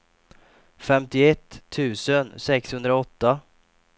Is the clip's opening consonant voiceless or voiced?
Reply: voiceless